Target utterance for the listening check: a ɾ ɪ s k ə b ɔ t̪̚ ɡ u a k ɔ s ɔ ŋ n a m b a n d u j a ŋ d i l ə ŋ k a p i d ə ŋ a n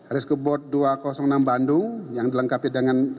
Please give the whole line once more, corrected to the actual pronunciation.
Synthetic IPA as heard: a ɾ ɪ s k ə b ɔ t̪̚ d u a k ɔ s ɔ ŋ n a m b a n d u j a ŋ d i l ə ŋ k a p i d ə ŋ a n